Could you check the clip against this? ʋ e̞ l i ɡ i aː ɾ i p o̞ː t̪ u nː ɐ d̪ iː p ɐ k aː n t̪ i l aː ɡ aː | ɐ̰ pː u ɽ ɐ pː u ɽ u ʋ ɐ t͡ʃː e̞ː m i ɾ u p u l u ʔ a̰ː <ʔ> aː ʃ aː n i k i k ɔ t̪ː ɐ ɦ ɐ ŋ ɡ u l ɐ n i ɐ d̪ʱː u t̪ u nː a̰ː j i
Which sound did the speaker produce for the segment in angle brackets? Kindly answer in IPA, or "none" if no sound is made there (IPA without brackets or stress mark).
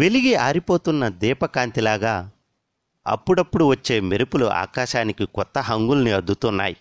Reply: k